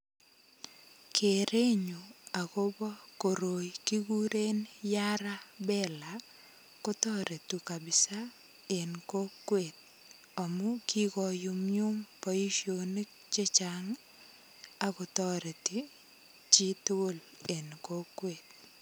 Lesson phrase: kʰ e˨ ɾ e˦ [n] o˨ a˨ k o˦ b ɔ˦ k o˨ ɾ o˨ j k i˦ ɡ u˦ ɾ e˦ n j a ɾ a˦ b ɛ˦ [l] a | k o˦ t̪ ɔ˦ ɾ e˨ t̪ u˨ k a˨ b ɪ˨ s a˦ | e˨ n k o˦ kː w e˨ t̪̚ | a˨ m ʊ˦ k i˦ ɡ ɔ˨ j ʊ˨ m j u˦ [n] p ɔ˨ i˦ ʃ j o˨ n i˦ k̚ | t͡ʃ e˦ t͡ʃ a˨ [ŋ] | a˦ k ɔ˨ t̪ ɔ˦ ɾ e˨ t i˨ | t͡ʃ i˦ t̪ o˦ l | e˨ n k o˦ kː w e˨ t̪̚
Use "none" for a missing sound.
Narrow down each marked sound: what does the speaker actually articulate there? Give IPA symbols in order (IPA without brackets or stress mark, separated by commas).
ɲ, l, m, ŋ